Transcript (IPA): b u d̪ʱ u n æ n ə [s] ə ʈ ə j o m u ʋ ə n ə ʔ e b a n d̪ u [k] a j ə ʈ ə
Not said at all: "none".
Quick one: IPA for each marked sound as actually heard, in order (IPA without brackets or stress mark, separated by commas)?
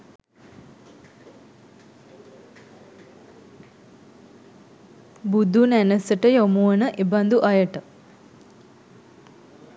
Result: s, ʔ